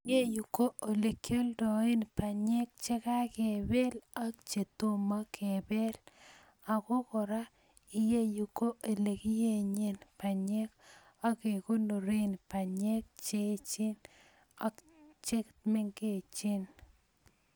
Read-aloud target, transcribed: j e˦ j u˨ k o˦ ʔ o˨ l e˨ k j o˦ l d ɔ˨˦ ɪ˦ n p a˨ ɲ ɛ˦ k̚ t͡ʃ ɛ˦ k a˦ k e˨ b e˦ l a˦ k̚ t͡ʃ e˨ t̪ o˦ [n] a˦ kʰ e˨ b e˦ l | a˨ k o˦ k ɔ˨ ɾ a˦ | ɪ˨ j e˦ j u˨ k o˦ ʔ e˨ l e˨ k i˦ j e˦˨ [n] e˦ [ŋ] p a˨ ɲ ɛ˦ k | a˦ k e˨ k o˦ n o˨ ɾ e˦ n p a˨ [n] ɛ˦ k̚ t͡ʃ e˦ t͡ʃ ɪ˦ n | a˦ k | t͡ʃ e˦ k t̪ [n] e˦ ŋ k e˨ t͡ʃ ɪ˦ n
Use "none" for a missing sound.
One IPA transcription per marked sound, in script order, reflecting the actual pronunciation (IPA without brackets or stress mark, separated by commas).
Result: m, ɲ, n, ɲ, m